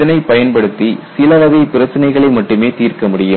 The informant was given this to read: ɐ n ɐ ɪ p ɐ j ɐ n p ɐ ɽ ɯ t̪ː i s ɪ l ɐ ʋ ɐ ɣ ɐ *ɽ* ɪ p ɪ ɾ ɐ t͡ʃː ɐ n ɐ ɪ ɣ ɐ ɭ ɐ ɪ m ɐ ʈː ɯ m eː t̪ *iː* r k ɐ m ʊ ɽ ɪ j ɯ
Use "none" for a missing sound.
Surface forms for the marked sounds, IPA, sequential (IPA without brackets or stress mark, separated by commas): none, iː